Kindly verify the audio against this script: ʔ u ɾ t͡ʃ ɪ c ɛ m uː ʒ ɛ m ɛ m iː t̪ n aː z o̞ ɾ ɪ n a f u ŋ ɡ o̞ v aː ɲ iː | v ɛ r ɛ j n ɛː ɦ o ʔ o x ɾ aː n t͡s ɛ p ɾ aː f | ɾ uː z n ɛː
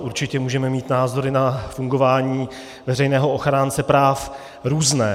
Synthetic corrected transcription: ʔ u ɾ t͡ʃ ɪ c ɛ m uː ʒ ɛ m ɛ m iː t̪ n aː z o̞ ɾ ɪ n a f u ŋ ɡ o̞ v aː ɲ iː | v ɛ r ɛ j n ɛː ɦ o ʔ o x ɾ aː n t͡s ɛ p ɾ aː f | ɾ uː z n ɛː